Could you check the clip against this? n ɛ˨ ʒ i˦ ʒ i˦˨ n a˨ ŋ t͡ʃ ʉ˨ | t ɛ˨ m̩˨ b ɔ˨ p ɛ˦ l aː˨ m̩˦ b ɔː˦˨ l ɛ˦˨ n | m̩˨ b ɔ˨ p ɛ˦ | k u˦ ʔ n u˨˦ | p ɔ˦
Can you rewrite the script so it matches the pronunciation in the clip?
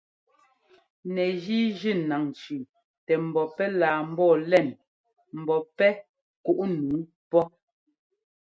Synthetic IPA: n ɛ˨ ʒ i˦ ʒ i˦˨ n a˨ ŋ t͡ʃ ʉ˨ | t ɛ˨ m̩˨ b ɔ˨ p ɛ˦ l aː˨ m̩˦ b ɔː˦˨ l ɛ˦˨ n | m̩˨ b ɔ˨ p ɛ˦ | k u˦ ʔ n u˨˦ | p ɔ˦